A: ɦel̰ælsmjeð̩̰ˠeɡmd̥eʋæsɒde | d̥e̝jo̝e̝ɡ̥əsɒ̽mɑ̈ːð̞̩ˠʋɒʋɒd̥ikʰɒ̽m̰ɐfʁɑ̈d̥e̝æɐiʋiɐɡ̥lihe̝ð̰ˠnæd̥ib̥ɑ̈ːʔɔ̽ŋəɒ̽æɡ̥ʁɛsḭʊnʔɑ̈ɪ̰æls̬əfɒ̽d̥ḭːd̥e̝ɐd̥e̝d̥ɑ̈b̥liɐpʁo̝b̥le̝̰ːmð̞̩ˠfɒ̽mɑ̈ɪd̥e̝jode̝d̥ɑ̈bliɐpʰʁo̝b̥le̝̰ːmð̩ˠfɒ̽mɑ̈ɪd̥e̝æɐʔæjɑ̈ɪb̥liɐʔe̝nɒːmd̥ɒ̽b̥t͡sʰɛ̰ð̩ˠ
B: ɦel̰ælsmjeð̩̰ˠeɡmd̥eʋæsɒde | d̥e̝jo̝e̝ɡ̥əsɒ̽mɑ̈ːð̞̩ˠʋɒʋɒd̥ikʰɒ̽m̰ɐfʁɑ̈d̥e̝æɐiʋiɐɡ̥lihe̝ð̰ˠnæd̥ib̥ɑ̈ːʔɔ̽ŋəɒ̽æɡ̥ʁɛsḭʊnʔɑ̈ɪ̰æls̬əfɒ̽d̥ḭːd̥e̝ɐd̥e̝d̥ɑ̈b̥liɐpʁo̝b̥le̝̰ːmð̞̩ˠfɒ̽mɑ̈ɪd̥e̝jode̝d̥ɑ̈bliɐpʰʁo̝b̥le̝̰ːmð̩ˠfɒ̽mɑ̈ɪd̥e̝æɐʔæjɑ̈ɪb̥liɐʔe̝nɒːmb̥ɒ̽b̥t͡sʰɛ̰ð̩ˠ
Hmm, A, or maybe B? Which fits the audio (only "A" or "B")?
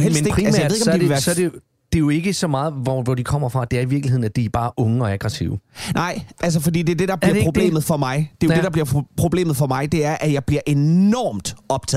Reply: A